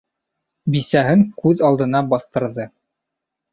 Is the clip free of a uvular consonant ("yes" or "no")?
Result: yes